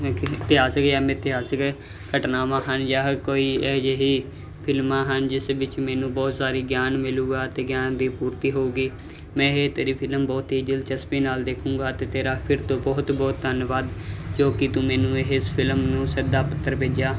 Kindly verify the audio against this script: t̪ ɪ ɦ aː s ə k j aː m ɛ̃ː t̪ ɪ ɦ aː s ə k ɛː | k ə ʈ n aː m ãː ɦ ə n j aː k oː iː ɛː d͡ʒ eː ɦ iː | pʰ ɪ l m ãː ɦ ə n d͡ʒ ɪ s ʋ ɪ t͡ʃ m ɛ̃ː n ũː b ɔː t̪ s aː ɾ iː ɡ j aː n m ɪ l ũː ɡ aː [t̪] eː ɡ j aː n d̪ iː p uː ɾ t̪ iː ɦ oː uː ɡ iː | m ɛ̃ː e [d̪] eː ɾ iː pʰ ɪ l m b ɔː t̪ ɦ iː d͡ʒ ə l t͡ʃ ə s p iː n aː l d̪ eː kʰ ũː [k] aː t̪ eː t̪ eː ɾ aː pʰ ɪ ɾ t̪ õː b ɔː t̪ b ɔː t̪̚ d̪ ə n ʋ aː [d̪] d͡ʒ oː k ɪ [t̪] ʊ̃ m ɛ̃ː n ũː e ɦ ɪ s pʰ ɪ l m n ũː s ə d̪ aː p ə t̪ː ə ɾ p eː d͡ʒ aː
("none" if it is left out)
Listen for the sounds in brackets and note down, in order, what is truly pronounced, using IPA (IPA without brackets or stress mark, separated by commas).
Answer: t̪, t̪, ɡ, d̪, t̪